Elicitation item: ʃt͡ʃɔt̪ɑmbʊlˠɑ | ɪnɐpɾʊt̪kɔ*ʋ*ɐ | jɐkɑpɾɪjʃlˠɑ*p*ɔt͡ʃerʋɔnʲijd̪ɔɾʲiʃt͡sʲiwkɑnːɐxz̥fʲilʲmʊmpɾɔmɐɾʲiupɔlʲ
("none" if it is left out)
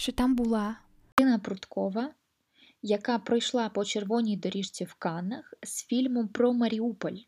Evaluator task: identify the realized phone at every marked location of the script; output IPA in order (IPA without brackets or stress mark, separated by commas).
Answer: ʋ, p